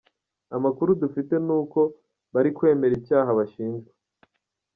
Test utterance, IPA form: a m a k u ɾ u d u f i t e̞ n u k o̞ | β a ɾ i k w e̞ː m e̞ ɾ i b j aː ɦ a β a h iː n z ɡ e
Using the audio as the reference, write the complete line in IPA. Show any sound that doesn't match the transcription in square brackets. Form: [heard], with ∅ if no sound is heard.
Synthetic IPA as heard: a m a k u ɾ u d u f i t e̞ n [uː] k o̞ | β a ɾ i k w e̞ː m e̞ ɾ i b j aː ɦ a β a [ʃ] iː n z ɡ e

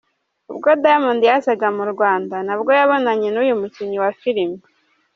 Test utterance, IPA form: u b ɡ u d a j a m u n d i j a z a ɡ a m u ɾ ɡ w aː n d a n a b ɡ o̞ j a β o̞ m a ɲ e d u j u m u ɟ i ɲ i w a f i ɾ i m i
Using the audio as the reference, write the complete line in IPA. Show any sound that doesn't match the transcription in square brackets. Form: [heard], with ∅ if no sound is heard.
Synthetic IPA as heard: u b ɡ [o] d a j a m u n d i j a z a ɡ a m u ɾ ɡ w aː n d a n a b ɡ o̞ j a β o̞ [n] a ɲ e [n] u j u m u [c] i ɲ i w a f i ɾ i m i

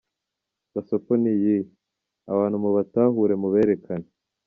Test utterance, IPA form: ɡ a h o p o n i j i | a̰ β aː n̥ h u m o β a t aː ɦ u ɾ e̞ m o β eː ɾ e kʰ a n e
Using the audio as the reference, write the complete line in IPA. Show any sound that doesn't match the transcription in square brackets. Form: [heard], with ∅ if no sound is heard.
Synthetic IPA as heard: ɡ a [s] o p o n i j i | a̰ β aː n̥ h u m [u] β a t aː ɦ u ɾ e̞ m [u] β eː ɾ e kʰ a n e

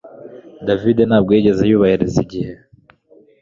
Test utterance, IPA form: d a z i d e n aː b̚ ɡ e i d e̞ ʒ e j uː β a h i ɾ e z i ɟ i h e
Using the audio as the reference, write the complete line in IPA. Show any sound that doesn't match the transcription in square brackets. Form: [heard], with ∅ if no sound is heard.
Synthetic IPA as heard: d a [v] i d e n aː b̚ ɡ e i [ɟ] e̞ [z] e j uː β a h i ɾ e z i ɟ i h e

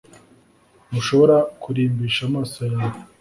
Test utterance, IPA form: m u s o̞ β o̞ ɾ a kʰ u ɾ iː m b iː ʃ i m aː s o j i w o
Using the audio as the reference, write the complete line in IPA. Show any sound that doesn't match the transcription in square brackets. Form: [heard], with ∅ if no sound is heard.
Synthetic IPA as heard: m u [ʃ] o̞ β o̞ ɾ a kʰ u ɾ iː m b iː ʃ [a] m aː s o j [a] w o

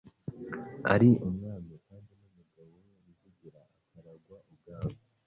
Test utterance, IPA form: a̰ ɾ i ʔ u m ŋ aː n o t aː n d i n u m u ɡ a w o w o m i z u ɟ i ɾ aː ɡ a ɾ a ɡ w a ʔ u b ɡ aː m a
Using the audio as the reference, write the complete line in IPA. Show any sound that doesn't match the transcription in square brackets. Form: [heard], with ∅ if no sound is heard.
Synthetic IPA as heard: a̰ ɾ i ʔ u m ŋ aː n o [k] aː n d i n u m u ɡ a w o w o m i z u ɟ i ɾ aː [k] a ɾ a ɡ w a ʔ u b ɡ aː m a

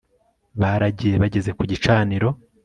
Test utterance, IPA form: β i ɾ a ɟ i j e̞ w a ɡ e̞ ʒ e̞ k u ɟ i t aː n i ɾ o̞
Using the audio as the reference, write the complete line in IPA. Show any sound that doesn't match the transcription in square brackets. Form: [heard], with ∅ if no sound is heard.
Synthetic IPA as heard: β [a] ɾ a ɟ i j e̞ [β] a [ɟ] e̞ [z] e̞ k u ɟ i [t͡ʃ] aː n i ɾ o̞

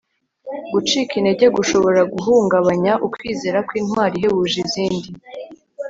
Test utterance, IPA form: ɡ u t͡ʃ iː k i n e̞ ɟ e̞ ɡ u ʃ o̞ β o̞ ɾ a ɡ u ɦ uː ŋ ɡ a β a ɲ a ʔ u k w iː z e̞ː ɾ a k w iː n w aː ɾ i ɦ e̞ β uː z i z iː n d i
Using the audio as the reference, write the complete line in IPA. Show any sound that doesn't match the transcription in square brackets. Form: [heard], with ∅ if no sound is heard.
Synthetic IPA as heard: ɡ u t͡ʃ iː k i n e̞ ɟ e̞ ɡ u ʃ o̞ β o̞ ɾ a ɡ u ɦ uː ŋ ɡ a β a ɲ a ʔ u k w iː z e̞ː ɾ a k w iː n w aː ɾ i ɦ e̞ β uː [ʒ] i z iː n d i

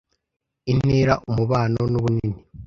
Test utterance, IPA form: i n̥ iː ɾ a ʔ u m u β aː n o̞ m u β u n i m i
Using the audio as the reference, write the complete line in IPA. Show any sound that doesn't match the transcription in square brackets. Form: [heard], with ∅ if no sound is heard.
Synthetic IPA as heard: i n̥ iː ɾ a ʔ u m u β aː n o̞ [n] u β u n i [n] i

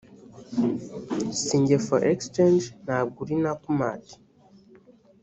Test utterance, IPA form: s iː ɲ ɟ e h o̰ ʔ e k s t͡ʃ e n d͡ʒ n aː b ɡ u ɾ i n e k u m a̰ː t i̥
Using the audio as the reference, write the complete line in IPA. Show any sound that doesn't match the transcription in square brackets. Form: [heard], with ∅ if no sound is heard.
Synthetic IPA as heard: s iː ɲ ɟ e [f] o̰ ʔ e k s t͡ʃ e n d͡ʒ n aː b ɡ u ɾ i n [a] k u m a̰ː t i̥

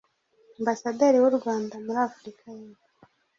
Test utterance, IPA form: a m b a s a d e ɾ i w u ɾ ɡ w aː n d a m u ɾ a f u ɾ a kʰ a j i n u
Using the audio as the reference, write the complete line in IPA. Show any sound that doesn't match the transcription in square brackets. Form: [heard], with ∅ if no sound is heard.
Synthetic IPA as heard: a m b a s a d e ɾ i w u ɾ ɡ w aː n d a m u ɾ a f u ɾ [i] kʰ a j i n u

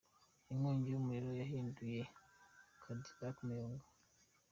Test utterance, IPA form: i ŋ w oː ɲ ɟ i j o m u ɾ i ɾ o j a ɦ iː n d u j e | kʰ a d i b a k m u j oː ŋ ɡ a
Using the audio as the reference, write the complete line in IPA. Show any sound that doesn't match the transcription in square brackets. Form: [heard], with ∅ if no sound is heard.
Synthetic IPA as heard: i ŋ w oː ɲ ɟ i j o m u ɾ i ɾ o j a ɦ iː n d u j e | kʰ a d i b a k m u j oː ŋ ɡ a

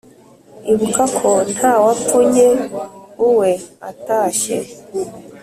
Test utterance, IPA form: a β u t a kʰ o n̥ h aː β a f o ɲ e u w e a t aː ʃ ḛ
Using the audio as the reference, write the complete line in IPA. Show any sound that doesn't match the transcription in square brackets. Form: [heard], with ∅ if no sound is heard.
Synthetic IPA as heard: [i] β u [k] a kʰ o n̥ h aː [w] a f [u] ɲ e u w e a t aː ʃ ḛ

